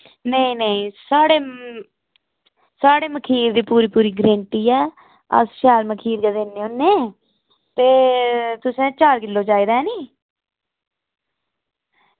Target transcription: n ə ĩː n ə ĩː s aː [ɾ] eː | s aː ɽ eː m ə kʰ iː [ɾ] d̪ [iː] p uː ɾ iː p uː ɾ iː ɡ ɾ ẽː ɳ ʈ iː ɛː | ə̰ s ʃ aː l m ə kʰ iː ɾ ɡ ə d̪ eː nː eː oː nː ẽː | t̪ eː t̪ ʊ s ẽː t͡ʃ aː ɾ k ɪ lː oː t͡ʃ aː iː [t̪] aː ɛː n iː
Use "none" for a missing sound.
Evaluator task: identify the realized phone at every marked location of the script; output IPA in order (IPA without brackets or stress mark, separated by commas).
ɽ, ɾ, iː, d̪